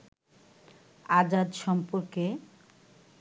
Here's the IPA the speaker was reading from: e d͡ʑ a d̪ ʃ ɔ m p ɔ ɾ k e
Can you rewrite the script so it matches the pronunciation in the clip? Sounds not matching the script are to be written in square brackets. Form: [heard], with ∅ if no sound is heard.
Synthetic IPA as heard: [a] d͡ʑ a d̪ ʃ ɔ m p [o] ɾ k e